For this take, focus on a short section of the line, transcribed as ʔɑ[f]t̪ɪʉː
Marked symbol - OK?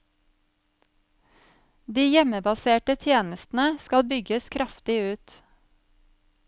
yes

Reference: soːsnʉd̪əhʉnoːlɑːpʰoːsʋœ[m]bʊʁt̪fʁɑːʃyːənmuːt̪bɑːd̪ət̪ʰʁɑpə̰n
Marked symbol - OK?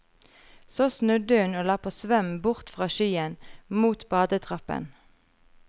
yes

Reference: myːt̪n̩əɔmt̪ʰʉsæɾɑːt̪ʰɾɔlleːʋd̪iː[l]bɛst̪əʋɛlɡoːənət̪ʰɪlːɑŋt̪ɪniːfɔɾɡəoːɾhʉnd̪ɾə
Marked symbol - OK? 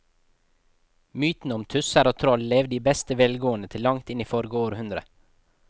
no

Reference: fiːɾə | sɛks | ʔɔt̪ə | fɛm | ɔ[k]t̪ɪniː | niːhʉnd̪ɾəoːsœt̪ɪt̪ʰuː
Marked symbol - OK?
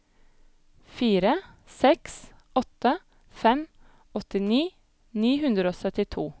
no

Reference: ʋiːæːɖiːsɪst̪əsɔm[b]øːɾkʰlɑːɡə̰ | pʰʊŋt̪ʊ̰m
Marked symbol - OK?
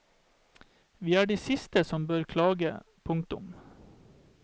yes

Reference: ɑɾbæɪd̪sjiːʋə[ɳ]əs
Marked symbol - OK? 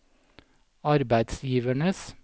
yes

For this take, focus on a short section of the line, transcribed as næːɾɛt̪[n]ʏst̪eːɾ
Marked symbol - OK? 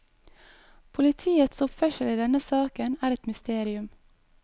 no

